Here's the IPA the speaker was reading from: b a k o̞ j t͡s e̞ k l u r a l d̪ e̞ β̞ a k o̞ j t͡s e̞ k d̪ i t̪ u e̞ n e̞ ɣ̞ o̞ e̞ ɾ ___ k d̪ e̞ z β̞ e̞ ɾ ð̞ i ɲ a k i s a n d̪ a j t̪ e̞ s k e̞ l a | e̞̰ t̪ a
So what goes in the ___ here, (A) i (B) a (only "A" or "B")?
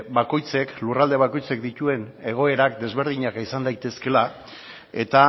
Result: B